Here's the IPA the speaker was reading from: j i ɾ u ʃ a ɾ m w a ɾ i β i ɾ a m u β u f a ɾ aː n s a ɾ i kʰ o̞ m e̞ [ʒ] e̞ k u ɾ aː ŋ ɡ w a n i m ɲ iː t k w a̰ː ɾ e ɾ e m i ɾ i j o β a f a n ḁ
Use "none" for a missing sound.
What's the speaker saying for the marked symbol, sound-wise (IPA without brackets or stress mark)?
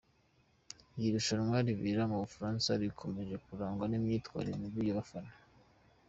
ʒ